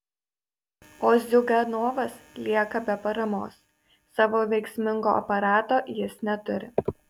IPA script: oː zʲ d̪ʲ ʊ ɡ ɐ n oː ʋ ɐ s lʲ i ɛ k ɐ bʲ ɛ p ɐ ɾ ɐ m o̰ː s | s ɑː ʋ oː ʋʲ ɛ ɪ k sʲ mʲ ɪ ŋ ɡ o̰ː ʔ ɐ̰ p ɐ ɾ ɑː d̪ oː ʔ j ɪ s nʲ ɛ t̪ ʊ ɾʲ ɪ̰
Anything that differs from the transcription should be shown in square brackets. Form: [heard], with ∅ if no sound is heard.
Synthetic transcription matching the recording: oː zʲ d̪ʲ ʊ ɡ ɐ n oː ʋ ɐ s lʲ i ɛ k ɐ bʲ ɛ p ɐ ɾ ɐ m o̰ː s | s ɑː ʋ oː ʋʲ ɛ ɪ k sʲ mʲ ɪ ŋ ɡ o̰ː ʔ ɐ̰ p ɐ ɾ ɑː [t̪] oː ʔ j ɪ s nʲ ɛ t̪ ʊ ɾʲ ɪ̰